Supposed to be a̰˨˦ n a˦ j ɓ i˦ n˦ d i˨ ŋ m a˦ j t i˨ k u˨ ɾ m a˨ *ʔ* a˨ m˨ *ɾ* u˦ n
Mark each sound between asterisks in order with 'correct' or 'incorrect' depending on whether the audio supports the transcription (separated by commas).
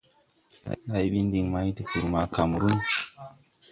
incorrect, correct